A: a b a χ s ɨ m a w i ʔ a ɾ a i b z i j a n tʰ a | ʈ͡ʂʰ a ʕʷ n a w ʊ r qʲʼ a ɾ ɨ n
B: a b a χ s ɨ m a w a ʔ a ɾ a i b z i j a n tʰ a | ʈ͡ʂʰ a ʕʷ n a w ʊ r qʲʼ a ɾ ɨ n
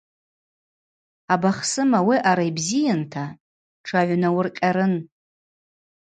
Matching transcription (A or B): A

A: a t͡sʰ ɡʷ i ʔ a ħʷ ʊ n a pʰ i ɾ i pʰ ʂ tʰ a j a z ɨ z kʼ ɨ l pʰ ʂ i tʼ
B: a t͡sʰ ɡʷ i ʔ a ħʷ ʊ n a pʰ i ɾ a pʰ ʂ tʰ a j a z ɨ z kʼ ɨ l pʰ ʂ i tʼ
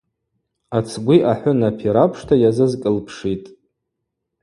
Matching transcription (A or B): B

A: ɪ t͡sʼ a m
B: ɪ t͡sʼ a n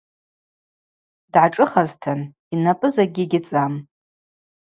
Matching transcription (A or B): A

